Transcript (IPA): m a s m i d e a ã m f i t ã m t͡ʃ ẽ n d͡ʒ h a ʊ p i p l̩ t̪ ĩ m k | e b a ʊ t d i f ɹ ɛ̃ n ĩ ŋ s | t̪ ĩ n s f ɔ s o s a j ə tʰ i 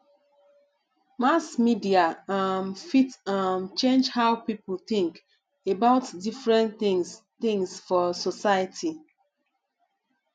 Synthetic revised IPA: m a s m i d i a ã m f i t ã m t͡ʃ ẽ n d͡ʒ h a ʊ p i p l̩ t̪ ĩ ŋ k | e b a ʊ t d i f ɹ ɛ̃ n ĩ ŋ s | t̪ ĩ ŋ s f ɔ s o s a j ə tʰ i

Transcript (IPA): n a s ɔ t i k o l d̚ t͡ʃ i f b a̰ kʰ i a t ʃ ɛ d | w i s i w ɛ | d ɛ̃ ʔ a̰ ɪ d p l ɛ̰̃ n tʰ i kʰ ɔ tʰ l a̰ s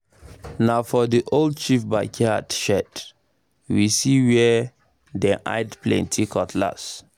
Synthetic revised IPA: n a f ɔ d i ʔ o l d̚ t͡ʃ i f b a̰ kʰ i a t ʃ ɛ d | w i s i w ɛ | d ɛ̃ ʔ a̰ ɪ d p l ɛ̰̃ n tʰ i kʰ ɔ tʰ l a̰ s

